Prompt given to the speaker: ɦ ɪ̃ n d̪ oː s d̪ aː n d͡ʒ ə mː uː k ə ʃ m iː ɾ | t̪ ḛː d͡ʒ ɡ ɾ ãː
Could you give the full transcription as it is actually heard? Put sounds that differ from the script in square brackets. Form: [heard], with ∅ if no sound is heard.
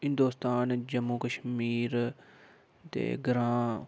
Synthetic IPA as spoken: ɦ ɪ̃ n d̪ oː s [t̪] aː n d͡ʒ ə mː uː k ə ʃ m iː ɾ | t̪ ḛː [∅] ɡ ɾ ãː